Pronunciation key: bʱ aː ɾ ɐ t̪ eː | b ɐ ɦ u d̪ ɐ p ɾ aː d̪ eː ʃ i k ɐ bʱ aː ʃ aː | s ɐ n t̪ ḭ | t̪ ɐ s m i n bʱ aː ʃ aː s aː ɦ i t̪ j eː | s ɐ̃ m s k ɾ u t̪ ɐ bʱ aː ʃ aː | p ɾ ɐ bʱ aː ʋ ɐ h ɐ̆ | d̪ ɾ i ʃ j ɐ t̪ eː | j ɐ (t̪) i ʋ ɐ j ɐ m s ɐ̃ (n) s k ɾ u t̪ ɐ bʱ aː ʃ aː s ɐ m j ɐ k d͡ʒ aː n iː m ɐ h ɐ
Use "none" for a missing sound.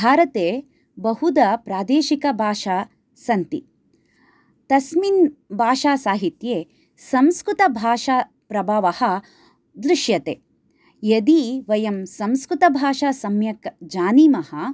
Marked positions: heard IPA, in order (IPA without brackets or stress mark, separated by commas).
d̪, m